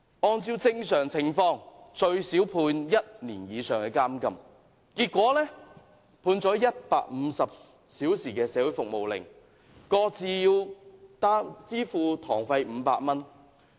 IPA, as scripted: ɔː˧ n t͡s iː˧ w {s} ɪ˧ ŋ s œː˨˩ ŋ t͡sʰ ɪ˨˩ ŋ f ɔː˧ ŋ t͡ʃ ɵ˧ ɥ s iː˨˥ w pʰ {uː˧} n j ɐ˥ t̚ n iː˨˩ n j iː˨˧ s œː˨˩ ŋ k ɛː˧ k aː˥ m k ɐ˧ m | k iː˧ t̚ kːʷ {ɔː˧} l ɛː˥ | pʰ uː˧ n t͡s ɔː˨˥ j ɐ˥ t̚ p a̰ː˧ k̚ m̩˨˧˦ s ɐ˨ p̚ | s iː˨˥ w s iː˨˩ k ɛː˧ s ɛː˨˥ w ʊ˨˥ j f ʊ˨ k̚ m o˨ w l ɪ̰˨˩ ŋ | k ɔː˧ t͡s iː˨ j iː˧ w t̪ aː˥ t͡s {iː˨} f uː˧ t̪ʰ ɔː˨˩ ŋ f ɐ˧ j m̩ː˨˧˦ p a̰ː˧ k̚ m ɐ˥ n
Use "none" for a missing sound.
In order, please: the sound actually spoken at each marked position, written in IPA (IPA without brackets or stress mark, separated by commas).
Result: t͡s, uː˧, ɔː˨˥, iː˥